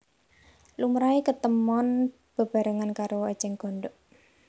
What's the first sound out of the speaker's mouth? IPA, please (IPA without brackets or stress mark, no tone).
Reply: l